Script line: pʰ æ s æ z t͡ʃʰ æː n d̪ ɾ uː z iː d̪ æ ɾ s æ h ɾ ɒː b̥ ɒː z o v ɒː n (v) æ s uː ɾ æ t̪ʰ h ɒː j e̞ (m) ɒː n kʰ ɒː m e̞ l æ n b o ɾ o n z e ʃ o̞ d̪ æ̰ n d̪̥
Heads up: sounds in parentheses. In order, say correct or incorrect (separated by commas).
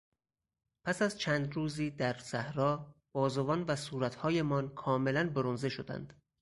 correct, correct